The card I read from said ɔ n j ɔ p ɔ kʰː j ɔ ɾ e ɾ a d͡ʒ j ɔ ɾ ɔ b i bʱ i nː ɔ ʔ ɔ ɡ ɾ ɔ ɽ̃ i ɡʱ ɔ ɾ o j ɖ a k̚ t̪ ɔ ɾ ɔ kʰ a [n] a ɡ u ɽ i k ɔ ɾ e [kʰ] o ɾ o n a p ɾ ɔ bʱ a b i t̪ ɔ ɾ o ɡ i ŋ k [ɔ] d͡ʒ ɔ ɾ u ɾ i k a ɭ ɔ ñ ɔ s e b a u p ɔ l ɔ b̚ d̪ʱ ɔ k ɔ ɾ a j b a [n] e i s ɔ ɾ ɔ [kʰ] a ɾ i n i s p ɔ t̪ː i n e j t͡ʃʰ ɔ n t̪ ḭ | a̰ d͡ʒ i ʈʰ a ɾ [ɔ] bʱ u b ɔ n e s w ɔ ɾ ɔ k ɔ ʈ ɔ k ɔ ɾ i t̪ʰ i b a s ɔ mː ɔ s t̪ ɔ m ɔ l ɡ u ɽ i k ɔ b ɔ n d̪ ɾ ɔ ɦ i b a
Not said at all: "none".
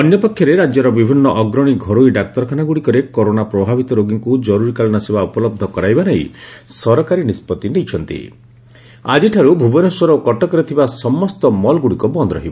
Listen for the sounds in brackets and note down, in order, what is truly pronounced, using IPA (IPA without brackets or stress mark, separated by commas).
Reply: n, k, u, n, k, u